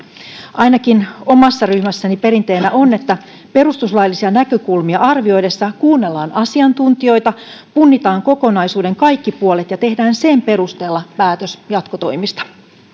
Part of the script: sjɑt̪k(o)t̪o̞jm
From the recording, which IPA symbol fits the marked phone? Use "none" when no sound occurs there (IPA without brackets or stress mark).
o